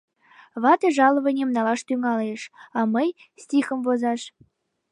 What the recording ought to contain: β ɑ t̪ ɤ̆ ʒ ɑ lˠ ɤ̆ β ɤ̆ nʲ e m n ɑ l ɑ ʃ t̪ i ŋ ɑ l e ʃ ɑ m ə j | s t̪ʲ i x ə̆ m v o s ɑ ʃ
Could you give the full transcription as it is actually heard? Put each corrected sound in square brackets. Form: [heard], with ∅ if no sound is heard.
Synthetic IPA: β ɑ t̪ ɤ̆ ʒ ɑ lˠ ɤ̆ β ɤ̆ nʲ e m n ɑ l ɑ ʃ t̪ [y] ŋ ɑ l e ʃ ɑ m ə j | s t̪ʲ i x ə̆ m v o [z] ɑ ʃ